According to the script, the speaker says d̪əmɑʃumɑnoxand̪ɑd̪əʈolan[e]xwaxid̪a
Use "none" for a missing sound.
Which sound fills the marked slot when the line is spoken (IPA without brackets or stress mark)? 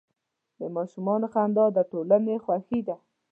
e